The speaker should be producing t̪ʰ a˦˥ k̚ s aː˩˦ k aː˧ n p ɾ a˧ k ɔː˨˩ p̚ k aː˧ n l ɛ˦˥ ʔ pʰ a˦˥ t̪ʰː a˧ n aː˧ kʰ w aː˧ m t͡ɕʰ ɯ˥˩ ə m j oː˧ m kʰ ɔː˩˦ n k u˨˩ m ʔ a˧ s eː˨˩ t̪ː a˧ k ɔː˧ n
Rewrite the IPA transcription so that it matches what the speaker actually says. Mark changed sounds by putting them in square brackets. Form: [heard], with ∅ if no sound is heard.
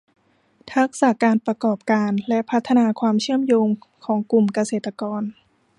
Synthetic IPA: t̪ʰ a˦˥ k̚ s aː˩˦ k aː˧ n p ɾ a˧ k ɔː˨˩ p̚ k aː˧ n l ɛ˦˥ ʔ pʰ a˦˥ t̪ʰː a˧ n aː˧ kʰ w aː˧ m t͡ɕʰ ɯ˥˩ ə m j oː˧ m kʰ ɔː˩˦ [ŋ] k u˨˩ m [k] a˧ s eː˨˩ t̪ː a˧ k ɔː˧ n